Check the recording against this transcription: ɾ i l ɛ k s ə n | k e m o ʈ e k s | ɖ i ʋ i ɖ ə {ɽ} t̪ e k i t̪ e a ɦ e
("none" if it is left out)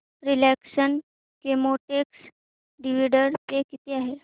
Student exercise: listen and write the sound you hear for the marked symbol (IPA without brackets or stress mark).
ɾ